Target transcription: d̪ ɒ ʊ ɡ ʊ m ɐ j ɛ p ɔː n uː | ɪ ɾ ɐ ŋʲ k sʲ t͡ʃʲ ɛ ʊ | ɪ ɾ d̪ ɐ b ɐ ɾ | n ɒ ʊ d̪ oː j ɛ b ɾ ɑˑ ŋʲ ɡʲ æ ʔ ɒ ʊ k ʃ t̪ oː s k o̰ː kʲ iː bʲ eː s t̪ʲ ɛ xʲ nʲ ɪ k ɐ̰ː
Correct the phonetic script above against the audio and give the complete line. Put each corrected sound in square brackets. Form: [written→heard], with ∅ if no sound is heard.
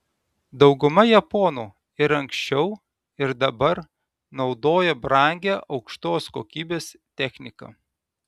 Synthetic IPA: d̪ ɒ ʊ ɡ ʊ m ɐ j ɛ p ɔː n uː | ɪ ɾ ɐ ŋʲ k sʲ t͡ʃʲ ɛ ʊ | ɪ ɾ d̪ ɐ b ɐ ɾ | n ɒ ʊ d̪ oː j ɛ b ɾ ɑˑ ŋʲ ɡʲ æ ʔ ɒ ʊ k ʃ t̪ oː s k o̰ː kʲ iː bʲ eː s t̪ʲ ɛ xʲ nʲ ɪ k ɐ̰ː